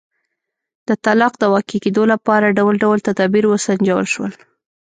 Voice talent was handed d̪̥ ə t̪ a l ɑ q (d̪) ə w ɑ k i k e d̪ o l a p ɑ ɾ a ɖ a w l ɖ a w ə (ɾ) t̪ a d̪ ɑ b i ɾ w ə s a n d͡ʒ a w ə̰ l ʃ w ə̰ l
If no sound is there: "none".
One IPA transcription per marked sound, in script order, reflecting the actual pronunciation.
d̪, l

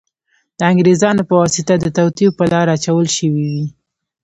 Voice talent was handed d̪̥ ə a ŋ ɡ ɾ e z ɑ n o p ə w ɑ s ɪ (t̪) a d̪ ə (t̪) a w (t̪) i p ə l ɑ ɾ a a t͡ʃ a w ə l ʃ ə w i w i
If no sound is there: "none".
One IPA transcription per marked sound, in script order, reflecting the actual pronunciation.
t̪, t̪, t̪

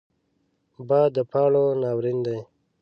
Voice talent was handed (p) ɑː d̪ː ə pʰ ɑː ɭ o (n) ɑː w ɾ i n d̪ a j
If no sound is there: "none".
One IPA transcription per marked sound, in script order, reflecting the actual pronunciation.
b, n

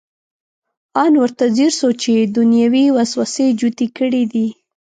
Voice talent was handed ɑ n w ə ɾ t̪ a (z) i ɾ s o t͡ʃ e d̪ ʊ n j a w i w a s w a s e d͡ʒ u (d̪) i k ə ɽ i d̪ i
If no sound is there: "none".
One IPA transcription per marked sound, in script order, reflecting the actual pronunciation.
z, t̪

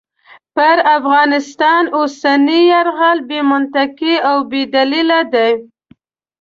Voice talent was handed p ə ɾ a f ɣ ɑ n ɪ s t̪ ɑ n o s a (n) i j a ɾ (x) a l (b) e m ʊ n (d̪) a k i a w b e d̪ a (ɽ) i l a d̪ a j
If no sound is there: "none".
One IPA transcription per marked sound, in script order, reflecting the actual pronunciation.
n, ɣ, b, t̪, l

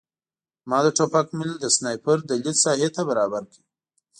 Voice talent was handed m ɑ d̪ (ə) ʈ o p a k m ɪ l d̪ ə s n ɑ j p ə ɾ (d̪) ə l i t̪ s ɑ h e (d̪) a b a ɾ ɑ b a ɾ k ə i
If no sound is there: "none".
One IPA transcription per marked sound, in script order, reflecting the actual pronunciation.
ə, d̪, t̪

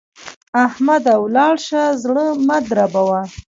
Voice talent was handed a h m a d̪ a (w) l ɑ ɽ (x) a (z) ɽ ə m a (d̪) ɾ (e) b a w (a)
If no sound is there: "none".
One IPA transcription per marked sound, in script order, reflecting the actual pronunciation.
w, ʃ, z, d̪, a, a

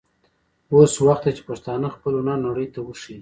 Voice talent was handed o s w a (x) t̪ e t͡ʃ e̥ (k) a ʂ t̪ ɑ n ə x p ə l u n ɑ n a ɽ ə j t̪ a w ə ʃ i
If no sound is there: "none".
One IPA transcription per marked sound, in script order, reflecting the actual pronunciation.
x, p

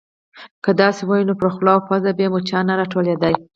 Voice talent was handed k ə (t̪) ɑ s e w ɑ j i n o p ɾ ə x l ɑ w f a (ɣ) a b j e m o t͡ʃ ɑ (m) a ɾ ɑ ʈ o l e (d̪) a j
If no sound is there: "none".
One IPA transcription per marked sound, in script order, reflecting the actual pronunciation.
d̪, z, n, d̪

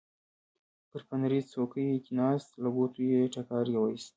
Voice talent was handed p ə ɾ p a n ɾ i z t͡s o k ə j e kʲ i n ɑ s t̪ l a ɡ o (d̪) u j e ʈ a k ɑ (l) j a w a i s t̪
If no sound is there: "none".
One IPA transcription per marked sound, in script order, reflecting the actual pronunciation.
t̪, ɾ

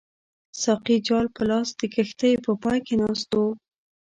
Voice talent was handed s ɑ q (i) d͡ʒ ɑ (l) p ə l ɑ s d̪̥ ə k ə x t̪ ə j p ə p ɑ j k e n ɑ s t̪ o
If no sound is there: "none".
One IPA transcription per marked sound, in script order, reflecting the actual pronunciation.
i, l

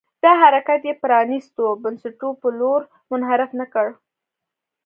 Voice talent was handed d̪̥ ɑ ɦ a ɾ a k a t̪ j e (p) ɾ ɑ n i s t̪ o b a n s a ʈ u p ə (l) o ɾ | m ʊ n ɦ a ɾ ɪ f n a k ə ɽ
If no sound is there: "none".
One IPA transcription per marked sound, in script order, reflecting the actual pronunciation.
p, l

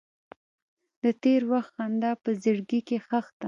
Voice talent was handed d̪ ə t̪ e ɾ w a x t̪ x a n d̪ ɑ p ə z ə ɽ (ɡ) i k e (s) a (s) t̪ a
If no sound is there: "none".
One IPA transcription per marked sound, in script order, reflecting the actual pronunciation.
ɡ, x, x

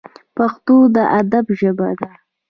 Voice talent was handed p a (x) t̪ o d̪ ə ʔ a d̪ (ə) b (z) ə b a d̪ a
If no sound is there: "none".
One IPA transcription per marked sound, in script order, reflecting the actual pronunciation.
x, a, ʒ

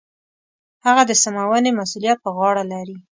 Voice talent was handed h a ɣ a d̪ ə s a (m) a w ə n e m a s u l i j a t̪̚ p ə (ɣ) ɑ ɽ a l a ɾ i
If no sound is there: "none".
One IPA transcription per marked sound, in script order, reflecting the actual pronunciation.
m, ɣ

